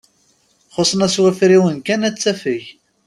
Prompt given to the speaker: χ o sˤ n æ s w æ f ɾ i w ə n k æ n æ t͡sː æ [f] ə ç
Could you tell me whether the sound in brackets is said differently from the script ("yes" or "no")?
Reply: no